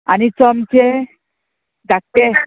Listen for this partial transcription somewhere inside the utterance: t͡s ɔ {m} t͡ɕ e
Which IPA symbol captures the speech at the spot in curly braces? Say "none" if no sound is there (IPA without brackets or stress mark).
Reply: m